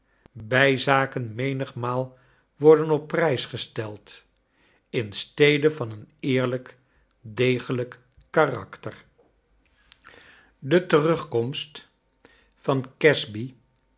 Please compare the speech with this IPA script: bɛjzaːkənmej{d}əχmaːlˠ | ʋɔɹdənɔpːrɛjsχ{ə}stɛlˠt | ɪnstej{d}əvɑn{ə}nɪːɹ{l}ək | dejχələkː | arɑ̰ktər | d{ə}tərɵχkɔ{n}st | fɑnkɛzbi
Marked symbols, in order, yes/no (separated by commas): no, yes, yes, yes, yes, yes, no